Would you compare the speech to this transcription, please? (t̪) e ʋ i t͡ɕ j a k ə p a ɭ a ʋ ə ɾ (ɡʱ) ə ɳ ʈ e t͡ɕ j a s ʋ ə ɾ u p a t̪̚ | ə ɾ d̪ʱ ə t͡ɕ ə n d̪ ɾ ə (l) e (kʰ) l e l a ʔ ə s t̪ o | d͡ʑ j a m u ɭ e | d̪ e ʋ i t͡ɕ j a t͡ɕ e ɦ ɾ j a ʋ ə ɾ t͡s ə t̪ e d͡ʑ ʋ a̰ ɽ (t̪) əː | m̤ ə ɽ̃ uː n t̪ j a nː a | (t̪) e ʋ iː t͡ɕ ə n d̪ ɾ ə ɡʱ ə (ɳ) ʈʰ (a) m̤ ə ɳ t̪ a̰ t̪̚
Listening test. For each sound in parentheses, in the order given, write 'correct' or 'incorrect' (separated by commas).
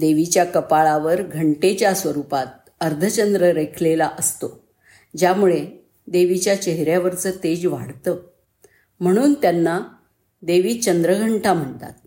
incorrect, correct, incorrect, correct, correct, incorrect, correct, correct